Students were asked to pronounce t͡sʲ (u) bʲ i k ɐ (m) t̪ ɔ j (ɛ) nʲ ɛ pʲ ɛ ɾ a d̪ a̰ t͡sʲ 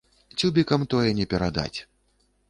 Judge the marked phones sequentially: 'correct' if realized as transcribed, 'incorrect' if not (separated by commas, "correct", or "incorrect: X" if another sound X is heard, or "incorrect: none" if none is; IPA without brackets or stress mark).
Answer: correct, correct, correct